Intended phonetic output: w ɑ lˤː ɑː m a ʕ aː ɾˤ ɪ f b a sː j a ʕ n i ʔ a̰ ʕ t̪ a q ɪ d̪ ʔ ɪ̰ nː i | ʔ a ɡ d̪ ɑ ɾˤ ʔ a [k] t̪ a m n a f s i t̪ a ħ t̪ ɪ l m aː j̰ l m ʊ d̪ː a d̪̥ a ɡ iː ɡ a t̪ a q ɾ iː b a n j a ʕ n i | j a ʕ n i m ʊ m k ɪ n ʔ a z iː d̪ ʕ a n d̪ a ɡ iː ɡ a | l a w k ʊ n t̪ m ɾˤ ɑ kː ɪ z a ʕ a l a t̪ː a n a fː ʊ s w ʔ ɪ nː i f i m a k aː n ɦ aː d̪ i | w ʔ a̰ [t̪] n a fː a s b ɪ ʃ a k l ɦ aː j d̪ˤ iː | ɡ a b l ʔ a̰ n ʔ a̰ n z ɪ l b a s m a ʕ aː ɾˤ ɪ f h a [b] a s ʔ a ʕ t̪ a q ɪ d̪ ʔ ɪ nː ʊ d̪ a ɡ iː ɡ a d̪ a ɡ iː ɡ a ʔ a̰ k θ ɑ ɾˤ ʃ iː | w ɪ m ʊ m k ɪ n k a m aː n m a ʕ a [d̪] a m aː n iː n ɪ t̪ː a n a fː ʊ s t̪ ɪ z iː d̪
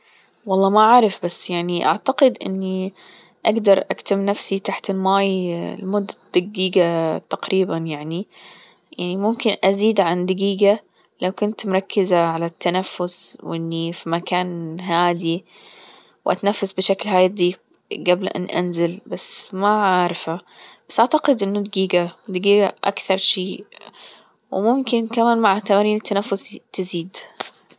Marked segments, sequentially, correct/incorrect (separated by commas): correct, correct, correct, incorrect